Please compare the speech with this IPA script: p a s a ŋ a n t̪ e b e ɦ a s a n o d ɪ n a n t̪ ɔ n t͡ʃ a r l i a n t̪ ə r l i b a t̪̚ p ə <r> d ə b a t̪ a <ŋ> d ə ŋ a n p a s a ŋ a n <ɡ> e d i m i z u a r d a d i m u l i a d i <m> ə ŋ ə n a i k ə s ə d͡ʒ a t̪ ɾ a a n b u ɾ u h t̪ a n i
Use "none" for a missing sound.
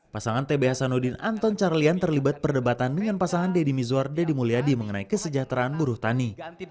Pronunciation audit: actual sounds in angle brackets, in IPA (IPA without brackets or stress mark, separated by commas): r, n, d, m